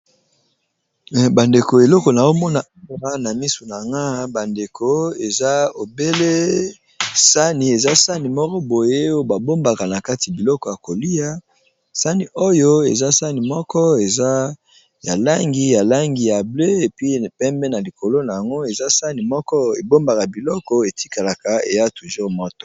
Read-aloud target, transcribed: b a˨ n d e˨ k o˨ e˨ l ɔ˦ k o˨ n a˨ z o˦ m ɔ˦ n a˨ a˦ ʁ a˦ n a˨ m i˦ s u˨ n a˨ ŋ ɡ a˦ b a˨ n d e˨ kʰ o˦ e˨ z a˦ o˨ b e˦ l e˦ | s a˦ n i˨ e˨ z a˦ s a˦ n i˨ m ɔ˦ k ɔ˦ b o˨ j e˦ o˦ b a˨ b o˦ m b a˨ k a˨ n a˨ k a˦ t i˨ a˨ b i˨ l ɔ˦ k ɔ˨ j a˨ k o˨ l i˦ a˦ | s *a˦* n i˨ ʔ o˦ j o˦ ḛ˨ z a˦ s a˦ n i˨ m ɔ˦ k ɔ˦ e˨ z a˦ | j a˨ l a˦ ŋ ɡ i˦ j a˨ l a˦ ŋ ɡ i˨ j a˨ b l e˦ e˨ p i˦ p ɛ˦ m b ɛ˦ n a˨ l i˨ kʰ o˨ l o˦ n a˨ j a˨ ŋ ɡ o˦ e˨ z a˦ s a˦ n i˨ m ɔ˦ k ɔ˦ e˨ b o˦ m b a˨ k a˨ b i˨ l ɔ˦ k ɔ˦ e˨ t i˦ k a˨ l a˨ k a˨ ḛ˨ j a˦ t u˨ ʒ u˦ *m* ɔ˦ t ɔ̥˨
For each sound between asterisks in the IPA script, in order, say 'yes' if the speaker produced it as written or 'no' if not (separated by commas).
yes, yes